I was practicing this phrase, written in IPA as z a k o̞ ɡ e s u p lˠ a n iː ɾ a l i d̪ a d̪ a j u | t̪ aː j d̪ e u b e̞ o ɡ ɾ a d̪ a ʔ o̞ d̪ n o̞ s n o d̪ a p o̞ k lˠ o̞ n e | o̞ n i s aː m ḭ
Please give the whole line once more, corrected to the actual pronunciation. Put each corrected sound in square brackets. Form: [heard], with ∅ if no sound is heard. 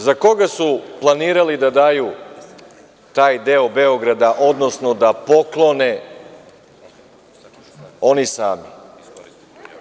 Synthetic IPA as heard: z a k o̞ ɡ [a] s u p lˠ a n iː ɾ a l i d̪ a d̪ a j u | t̪ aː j d̪ e [o] b e̞ o ɡ ɾ a d̪ a ʔ o̞ d̪ n o̞ s n o d̪ a p o̞ k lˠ o̞ n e | o̞ n i s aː m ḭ